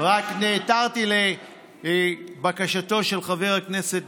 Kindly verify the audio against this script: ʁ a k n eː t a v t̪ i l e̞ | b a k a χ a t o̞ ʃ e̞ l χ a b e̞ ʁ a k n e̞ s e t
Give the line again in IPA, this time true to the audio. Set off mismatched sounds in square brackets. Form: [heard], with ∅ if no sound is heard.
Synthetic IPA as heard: ʁ a k n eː t a [ʁ] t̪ i l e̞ | b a k a [ʃ] a t o̞ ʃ e̞ l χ a [v] e̞ ʁ a k n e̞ s e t